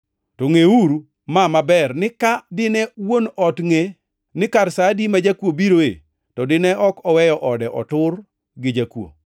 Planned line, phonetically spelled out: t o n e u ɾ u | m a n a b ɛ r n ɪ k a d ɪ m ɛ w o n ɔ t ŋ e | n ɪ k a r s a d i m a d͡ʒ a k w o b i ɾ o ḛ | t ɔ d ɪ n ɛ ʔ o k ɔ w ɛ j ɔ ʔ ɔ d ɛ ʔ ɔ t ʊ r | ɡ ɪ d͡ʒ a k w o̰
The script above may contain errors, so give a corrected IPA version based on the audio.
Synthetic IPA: t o ŋ e u ɾ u | m a m a b ɛ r n ɪ k a d ɪ n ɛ w o n ɔ t ŋ e | n ɪ k a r s a d i m a d͡ʒ a k w o b i ɾ o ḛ | t ɔ d ɪ n ɛ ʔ ɔ k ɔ w ɛ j ɔ ʔ ɔ d ɛ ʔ ɔ t ʊ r | ɡ ɪ d͡ʒ a k w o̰